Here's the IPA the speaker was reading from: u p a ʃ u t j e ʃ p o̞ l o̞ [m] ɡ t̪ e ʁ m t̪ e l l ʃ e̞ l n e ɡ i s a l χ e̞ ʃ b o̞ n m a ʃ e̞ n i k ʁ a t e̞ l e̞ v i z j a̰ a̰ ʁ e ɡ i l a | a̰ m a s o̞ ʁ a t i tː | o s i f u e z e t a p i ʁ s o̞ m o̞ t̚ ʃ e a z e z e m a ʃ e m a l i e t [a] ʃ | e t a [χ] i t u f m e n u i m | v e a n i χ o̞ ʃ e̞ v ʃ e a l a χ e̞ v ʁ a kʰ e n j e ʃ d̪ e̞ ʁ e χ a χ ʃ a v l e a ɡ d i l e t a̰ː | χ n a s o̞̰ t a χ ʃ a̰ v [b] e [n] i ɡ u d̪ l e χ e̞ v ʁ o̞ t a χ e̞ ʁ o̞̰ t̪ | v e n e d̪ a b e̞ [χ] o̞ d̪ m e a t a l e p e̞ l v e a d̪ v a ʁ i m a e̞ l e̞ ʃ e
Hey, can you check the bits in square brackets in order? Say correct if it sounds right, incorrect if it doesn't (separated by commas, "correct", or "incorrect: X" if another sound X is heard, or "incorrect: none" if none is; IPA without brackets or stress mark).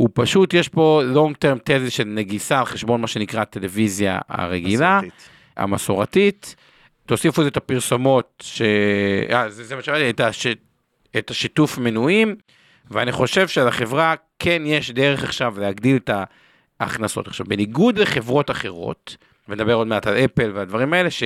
incorrect: ŋ, correct, incorrect: ʃ, correct, correct, incorrect: ʁ